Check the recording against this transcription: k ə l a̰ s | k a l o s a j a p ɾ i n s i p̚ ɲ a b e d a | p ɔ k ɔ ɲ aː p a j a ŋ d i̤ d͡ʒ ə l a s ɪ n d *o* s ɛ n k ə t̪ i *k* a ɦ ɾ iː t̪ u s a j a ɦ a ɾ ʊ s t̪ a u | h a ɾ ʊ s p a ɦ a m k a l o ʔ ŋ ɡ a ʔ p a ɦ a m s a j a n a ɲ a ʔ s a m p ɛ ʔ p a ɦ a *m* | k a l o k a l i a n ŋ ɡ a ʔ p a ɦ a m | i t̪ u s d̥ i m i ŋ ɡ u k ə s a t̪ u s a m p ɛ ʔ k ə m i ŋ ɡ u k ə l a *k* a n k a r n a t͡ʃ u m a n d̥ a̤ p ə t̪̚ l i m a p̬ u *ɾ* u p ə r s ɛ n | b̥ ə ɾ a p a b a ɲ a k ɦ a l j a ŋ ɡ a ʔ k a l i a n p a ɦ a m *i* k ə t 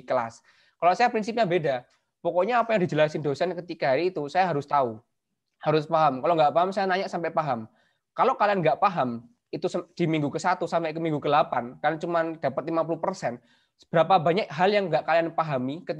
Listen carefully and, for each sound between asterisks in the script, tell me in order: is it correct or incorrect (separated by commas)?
correct, correct, correct, incorrect, incorrect, correct